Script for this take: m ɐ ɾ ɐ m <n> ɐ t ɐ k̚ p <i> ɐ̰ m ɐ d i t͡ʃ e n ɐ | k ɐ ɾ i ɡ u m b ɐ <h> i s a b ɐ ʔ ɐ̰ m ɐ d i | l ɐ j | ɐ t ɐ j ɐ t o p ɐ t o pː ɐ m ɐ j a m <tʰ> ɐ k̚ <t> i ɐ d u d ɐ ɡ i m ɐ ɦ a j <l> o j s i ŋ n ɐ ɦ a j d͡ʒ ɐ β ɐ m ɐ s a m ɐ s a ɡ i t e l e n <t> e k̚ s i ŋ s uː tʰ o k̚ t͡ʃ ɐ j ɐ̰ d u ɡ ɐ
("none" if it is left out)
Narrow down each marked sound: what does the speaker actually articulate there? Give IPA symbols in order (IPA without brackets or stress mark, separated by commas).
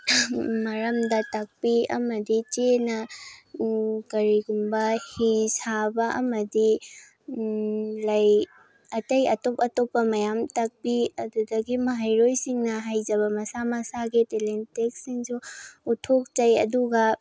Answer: d, i, h, t, p, ɾ, t